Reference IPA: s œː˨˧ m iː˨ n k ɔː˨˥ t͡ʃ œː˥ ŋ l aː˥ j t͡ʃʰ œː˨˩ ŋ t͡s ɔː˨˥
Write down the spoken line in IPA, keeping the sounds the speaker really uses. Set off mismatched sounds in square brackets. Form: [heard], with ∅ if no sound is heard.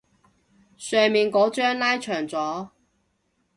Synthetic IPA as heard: s œː˨˧ m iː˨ n k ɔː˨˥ t͡ʃ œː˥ ŋ l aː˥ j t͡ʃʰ œː˨˩ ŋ t͡s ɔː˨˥